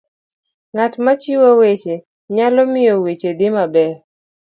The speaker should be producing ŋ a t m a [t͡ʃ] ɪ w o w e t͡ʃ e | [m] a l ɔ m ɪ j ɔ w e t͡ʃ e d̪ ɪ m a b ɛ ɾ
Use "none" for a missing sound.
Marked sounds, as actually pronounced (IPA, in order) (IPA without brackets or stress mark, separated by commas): t͡ʃ, ɲ